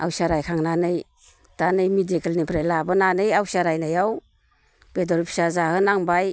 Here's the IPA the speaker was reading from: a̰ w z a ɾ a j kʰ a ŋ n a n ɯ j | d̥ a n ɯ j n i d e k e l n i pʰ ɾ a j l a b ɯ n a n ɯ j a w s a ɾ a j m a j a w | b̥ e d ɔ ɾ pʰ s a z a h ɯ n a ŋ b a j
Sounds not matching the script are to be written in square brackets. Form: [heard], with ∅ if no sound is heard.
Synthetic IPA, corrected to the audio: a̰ w [s] a ɾ a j kʰ a ŋ n a n ɯ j | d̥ a n ɯ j [m] i d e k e l n i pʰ ɾ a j l a b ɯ n a n ɯ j a w s a ɾ a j [n] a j a w | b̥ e d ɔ ɾ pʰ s a z a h ɯ n a ŋ b a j